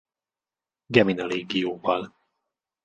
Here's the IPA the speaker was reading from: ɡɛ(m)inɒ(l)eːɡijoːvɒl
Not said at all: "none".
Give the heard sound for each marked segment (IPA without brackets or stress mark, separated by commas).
m, l